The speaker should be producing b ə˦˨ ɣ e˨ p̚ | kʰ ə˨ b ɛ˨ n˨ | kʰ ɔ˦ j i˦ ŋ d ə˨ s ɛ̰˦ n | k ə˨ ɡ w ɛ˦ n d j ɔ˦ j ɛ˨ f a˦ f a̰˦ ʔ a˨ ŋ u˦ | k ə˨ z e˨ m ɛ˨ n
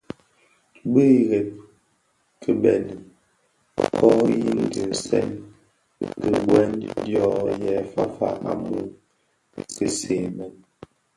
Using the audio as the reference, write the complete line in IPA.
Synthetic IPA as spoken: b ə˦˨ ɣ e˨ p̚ | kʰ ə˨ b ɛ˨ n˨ | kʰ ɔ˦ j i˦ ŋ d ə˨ s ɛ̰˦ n | k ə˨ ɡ w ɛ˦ n d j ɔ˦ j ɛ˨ f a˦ f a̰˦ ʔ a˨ m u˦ | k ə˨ s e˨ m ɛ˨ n